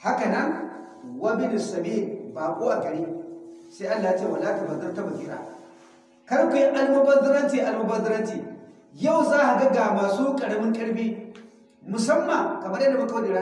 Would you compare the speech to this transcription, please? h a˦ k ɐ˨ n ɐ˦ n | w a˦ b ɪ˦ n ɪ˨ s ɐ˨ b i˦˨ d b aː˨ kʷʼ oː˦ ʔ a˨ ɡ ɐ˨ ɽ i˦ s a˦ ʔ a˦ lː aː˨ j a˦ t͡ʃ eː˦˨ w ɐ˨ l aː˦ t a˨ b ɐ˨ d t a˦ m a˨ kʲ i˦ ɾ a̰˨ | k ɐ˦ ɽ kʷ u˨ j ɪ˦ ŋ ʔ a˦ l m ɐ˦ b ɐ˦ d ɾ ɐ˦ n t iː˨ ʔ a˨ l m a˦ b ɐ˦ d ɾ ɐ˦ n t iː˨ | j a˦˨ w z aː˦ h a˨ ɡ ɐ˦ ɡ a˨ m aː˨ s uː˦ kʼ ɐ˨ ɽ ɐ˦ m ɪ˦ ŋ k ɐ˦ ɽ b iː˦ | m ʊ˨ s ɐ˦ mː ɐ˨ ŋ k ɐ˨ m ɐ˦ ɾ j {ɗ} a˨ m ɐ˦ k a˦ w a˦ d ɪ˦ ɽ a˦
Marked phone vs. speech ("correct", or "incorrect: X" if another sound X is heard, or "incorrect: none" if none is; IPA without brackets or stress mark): incorrect: d